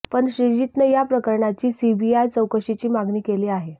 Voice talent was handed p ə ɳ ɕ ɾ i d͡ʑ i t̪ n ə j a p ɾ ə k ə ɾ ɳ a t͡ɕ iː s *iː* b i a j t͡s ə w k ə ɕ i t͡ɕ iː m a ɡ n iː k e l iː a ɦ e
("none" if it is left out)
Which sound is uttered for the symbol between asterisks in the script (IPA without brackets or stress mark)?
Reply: i